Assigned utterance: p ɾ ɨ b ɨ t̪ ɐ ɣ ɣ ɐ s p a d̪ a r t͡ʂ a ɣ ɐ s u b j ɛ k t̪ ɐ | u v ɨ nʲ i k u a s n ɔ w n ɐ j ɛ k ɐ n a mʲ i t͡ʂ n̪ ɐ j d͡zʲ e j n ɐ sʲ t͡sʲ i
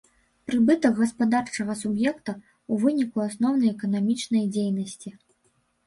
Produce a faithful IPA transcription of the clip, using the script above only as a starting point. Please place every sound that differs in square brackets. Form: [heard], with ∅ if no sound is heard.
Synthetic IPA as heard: p ɾ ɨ b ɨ t̪ ɐ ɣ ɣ ɐ s p a d̪ a r t͡ʂ [ɐ] ɣ ɐ s u b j ɛ k t̪ ɐ | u v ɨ nʲ i k u a s n ɔ w n ɐ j ɛ k ɐ n a mʲ i t͡ʂ n̪ ɐ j d͡zʲ e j n ɐ sʲ t͡sʲ i